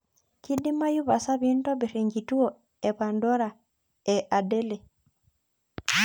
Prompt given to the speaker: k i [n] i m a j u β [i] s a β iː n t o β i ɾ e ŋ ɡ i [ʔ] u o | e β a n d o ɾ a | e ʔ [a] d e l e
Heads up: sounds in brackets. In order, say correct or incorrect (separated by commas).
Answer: incorrect, incorrect, incorrect, correct